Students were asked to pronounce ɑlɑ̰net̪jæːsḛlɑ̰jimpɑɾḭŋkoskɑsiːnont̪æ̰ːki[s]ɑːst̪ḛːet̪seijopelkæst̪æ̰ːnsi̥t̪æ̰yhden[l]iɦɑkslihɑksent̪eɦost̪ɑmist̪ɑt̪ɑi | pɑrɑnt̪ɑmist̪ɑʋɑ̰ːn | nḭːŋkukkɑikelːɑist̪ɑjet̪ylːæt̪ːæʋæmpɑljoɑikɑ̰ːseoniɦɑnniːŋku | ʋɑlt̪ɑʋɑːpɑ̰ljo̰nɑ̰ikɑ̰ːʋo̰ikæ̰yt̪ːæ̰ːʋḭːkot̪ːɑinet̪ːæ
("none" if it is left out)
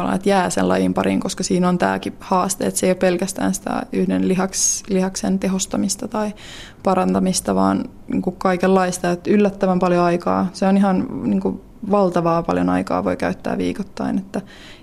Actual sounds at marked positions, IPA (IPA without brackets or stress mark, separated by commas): h, l